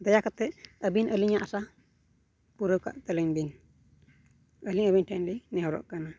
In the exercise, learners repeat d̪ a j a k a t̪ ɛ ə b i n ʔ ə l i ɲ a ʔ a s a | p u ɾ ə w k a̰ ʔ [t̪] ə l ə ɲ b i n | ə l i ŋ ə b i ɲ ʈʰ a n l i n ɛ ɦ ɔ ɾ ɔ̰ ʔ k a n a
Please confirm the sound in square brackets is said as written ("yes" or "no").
yes